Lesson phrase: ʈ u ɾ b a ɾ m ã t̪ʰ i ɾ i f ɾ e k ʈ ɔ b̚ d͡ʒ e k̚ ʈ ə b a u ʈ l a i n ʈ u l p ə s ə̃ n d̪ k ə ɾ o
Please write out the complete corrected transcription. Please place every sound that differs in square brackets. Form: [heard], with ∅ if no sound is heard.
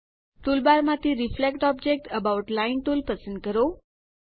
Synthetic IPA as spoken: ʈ u [l] b a ɾ m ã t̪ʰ i ɾ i f [l] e k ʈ ɔ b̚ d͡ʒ e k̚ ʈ ə b a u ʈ l a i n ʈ u l p ə s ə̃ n d̪ k ə ɾ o